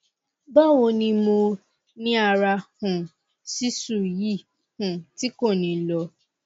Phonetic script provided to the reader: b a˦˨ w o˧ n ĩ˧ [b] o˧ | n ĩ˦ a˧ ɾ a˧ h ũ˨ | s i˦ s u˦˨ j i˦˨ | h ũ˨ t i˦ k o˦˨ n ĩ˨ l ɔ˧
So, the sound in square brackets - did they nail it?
no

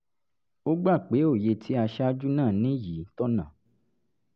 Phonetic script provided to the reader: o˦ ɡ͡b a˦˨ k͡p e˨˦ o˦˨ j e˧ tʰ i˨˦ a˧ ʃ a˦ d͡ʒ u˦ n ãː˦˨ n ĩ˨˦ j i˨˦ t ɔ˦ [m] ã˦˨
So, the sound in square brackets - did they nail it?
no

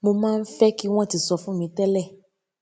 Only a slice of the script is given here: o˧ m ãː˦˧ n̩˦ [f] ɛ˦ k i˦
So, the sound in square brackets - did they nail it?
yes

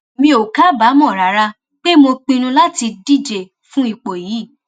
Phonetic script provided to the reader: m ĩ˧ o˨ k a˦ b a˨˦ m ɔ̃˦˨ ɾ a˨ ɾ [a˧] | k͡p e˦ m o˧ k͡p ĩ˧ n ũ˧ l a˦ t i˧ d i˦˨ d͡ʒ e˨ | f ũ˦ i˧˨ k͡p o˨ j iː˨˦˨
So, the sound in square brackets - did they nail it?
yes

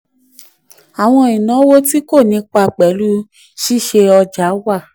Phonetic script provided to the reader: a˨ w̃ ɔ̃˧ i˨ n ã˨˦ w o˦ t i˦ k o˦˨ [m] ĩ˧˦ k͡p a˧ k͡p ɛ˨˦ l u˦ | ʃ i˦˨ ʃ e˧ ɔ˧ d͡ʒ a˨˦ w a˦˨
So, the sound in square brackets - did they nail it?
no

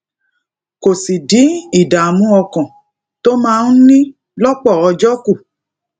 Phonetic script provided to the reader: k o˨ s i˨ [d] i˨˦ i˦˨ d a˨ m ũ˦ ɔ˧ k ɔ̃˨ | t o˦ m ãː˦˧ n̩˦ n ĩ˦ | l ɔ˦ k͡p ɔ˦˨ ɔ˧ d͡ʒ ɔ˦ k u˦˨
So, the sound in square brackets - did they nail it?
yes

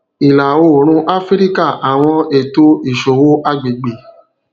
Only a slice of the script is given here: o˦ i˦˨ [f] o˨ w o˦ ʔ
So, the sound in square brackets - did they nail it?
no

